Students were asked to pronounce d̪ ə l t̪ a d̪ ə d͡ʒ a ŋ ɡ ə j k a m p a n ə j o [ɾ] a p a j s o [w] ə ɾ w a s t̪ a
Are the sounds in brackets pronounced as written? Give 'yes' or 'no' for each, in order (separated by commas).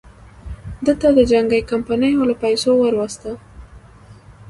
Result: no, yes